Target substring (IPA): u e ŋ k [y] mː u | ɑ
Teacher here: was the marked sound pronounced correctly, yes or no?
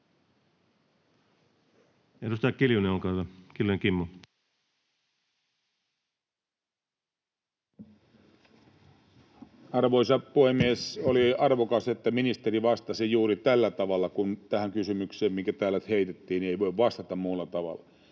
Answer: no